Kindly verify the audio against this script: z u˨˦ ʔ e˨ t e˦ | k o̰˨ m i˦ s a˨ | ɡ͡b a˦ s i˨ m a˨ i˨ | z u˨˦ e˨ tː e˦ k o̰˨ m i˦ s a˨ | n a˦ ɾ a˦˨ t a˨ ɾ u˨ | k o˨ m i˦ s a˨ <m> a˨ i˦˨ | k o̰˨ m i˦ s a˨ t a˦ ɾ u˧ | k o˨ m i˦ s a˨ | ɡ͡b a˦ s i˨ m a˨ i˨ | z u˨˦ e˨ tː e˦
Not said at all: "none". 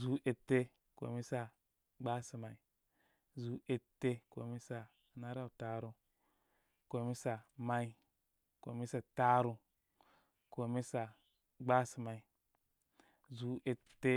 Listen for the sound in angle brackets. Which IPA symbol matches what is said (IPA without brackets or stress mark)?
m